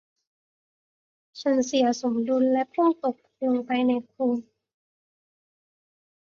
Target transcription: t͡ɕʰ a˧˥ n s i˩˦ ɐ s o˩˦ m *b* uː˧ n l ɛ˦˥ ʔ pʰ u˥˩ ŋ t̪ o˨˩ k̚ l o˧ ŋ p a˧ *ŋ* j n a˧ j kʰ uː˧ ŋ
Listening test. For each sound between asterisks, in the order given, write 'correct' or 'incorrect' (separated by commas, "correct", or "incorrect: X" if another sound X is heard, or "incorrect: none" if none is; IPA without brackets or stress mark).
incorrect: d, incorrect: none